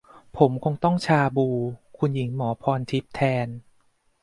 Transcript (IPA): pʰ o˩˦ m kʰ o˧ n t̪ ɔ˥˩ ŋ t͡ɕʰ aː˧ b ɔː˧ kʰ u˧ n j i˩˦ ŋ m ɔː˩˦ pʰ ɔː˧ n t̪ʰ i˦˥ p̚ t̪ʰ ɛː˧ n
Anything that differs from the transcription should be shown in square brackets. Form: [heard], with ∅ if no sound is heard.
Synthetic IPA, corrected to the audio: pʰ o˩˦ m kʰ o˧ [ŋ] t̪ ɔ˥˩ ŋ t͡ɕʰ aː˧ b [uː˧] kʰ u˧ n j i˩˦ ŋ m ɔː˩˦ pʰ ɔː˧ n t̪ʰ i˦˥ p̚ t̪ʰ ɛː˧ n